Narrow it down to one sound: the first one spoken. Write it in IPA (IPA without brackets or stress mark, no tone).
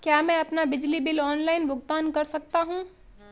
k